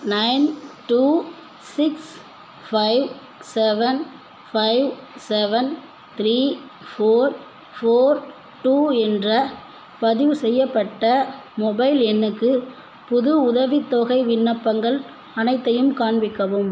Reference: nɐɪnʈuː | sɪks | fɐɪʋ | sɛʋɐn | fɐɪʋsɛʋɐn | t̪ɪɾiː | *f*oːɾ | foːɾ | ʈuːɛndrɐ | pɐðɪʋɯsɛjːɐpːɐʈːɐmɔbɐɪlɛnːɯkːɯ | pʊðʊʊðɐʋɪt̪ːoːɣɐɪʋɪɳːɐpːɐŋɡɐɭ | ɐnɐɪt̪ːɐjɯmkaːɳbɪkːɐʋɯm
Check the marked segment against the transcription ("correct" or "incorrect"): correct